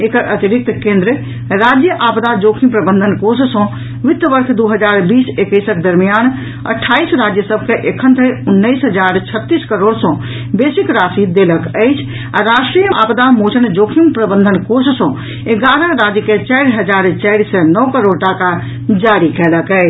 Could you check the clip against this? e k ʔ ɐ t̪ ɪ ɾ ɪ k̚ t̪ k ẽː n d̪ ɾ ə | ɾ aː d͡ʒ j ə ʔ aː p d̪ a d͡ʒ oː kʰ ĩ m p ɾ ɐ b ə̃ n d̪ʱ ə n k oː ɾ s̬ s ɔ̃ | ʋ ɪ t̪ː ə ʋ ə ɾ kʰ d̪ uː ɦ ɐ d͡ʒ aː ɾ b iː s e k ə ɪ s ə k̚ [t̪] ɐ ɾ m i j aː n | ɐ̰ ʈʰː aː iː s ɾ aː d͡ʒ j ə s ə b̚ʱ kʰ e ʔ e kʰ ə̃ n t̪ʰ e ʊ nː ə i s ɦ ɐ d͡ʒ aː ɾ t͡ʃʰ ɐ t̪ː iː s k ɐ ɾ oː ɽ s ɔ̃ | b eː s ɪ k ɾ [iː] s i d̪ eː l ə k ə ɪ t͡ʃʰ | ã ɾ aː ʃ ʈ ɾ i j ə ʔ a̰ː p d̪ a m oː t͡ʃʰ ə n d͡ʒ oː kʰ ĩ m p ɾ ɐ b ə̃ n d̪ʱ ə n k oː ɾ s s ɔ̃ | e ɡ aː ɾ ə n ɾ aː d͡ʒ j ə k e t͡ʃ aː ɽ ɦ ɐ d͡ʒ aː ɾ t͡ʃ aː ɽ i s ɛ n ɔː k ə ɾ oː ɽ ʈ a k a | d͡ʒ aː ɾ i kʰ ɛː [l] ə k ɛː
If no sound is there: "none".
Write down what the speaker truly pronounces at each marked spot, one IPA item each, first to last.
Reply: d̪, aː, l

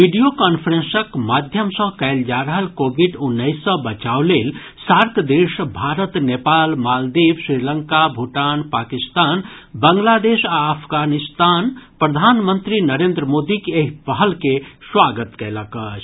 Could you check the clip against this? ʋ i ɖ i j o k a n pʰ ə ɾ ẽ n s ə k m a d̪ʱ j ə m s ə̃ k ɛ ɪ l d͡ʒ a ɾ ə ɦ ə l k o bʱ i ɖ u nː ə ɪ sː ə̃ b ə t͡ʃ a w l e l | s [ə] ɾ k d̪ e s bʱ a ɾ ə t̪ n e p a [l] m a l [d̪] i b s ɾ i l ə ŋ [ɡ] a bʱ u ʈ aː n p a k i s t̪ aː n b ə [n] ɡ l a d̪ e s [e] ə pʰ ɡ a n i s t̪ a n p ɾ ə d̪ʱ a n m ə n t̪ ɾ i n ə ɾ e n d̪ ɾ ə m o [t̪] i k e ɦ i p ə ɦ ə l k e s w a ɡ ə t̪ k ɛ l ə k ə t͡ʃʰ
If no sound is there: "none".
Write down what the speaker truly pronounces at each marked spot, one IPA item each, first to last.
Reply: a, l, d̪, k, ŋ, a, d̪

